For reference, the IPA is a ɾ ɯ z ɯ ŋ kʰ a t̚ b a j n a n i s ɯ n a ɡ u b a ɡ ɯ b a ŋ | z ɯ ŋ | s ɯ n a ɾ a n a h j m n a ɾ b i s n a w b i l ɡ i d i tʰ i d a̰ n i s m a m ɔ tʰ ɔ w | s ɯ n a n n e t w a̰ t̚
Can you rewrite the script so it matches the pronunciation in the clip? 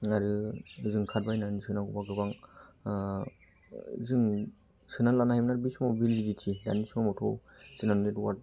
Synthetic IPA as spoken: a ɾ ɯ z ɯ ŋ kʰ a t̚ b a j n a n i s ɯ n a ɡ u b a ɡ ɯ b a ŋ | z ɯ ŋ | s ɯ n a l a n a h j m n a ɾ b i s m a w b i l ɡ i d i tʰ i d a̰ n i s m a m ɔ tʰ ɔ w | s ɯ n a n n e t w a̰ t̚